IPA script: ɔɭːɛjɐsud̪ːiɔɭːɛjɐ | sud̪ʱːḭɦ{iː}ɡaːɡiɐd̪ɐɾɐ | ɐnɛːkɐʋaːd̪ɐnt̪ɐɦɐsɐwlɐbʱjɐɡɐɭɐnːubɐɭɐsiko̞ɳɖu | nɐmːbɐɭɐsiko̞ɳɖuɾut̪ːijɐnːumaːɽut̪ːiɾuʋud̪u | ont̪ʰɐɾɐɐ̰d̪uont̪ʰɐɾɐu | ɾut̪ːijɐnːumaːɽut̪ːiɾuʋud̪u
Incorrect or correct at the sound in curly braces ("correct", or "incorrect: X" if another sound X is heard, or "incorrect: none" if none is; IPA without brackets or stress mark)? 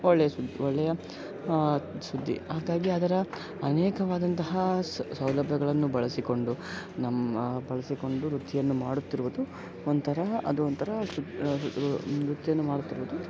incorrect: aː